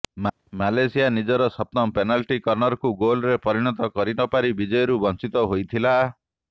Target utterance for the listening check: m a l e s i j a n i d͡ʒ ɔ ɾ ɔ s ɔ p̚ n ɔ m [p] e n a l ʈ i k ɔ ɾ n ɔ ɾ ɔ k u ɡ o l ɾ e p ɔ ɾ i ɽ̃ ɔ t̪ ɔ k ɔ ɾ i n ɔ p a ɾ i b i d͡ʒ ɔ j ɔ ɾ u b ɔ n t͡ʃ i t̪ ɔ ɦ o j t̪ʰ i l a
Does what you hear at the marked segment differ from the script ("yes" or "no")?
no